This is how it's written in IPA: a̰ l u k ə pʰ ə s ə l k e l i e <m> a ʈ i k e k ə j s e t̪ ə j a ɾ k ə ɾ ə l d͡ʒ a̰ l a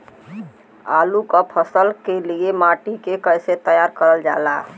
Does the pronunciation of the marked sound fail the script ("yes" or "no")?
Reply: no